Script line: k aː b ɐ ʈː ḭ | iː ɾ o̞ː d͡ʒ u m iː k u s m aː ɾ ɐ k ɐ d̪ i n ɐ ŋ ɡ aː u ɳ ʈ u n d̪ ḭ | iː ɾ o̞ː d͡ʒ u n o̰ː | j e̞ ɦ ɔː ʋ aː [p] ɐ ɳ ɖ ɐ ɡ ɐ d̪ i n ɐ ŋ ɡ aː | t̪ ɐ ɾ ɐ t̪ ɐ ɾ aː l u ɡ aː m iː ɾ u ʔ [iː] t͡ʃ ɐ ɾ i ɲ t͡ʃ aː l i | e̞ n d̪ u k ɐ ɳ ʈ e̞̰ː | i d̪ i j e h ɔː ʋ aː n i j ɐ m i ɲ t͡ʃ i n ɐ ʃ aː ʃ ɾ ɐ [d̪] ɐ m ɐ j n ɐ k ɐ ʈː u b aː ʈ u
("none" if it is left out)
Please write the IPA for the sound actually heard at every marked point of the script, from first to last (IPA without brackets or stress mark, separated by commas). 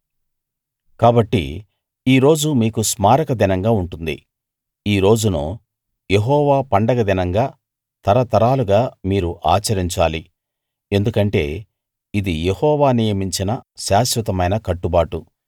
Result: p, aː, t̪